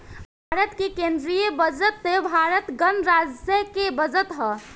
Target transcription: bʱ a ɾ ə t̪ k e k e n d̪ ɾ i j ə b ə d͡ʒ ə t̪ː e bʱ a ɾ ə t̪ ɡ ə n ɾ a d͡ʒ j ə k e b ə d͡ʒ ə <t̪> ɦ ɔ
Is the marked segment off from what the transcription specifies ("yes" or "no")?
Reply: no